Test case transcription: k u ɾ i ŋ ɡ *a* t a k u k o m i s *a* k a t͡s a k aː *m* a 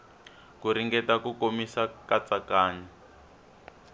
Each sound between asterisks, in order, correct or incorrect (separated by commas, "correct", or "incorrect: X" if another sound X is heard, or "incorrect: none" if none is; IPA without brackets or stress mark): incorrect: ɛ, correct, incorrect: ɲ